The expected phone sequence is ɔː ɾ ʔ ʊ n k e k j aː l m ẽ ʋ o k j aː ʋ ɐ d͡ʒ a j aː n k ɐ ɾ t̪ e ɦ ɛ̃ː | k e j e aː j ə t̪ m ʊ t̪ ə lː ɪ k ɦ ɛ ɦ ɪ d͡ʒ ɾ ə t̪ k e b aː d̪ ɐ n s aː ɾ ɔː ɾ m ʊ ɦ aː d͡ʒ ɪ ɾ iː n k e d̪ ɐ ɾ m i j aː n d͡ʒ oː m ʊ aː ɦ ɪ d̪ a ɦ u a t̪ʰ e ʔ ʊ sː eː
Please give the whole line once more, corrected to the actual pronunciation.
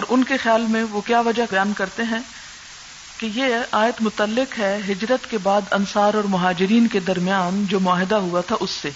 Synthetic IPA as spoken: ɔː ɾ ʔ ʊ n k e x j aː l m ẽ ʋ o k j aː ʋ ɐ d͡ʒ a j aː n k ɐ ɾ t̪ e ɦ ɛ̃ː | k e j e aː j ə t̪ m ʊ t̪ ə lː ɪ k ɦ ɛ ɦ ɪ d͡ʒ ɾ ə t̪ k e b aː d̪ ɐ n s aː ɾ ɔː ɾ m ʊ ɦ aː d͡ʒ ɪ ɾ iː n k e d̪ ɐ ɾ m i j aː n d͡ʒ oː m ʊ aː ɦ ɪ d̪ a ɦ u a t̪ʰ a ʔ ʊ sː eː